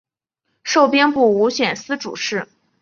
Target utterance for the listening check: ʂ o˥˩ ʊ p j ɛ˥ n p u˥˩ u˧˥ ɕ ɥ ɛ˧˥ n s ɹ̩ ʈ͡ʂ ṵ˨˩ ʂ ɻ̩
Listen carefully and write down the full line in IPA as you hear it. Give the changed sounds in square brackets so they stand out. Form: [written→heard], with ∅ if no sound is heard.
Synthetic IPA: ʂ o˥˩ ʊ p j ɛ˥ n p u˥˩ u˧˥ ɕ ɥ [ɛ˧˥→ɛ˨˩] n s ɹ̩ ʈ͡ʂ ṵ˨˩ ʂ ɻ̩